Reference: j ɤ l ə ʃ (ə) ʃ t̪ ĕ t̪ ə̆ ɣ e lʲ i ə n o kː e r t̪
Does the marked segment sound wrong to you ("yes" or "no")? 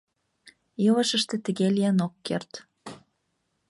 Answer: no